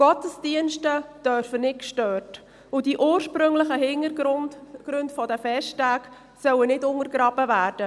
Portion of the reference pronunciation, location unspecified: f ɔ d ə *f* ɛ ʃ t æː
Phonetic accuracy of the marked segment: correct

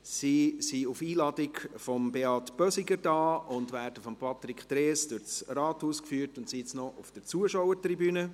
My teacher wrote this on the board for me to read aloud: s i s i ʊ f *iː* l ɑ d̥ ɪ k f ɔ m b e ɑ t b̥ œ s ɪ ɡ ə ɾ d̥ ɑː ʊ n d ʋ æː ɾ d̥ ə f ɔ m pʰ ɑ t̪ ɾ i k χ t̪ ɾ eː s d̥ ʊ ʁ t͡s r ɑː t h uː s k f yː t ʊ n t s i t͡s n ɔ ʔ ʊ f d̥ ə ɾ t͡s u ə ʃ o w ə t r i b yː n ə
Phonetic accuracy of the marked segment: correct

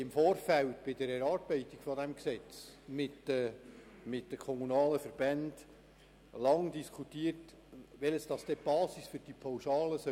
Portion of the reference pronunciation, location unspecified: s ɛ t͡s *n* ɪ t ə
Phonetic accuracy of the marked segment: incorrect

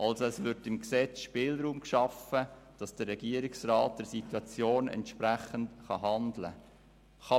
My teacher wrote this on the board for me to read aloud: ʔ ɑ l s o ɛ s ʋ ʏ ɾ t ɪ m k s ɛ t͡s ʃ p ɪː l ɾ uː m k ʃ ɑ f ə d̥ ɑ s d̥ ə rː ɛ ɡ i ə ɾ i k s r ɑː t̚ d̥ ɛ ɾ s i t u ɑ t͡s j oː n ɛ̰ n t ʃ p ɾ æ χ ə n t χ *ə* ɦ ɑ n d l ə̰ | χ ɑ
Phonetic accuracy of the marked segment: incorrect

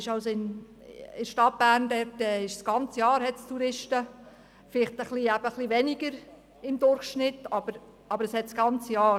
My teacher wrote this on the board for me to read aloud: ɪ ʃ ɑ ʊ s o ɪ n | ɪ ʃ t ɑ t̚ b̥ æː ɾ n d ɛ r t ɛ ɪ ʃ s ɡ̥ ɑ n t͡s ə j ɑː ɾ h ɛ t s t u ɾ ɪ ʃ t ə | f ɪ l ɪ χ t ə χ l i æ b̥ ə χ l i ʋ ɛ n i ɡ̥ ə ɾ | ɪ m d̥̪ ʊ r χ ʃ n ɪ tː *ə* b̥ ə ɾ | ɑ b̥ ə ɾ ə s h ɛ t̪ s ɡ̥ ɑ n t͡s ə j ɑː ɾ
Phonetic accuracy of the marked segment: incorrect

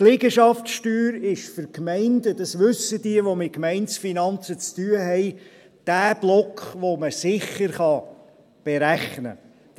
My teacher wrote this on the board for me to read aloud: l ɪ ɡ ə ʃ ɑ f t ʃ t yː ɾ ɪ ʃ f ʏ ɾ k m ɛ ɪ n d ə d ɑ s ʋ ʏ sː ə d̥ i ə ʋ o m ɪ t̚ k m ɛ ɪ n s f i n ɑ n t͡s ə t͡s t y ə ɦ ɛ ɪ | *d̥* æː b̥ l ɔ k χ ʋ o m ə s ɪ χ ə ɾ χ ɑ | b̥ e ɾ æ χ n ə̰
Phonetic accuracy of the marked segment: correct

